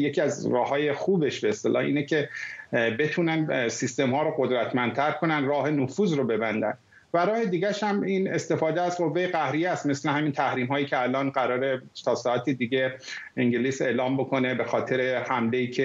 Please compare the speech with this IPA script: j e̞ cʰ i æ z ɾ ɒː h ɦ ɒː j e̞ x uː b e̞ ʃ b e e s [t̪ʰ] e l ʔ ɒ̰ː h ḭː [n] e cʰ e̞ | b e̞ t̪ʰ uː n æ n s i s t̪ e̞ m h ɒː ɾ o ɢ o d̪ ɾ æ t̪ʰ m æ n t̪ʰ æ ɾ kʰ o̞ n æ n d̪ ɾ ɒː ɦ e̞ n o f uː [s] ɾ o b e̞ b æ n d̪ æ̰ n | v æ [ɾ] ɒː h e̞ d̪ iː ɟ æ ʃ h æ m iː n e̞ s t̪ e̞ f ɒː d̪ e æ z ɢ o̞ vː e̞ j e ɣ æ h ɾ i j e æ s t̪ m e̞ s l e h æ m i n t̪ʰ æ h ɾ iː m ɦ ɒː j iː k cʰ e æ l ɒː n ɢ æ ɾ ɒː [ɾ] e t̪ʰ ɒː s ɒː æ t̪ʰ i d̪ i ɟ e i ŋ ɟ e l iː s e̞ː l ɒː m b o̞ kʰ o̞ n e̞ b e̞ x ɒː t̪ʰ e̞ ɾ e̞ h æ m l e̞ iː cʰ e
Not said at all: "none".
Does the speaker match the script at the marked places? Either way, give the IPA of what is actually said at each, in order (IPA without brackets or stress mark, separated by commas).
t̪, n, z, ɾ, ɾ